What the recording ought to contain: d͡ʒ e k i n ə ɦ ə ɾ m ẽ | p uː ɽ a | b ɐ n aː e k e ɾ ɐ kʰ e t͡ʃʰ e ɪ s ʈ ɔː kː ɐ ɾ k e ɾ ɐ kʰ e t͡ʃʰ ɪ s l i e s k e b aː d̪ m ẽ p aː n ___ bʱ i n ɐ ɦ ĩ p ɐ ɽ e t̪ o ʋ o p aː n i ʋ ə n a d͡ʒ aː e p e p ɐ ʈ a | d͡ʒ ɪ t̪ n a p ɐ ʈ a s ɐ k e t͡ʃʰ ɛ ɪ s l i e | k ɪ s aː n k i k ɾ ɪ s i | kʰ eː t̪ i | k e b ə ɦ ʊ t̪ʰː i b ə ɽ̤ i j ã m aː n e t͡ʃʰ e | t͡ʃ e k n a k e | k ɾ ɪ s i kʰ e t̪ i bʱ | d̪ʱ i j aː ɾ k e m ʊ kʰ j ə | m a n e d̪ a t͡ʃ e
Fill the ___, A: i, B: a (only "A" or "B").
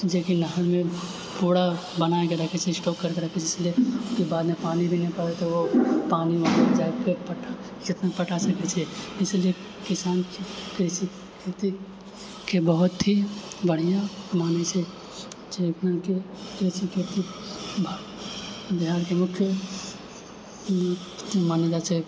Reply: A